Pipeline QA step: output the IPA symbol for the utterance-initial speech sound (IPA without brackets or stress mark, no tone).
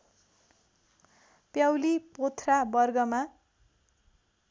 p